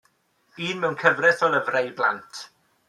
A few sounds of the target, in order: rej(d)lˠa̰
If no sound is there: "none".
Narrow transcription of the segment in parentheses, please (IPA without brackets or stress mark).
b